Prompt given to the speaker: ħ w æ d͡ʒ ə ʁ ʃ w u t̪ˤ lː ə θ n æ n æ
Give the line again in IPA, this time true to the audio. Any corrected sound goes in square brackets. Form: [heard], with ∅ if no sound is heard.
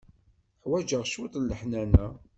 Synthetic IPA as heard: ħ w æ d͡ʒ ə ʁ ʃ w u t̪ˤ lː ə [ħ] n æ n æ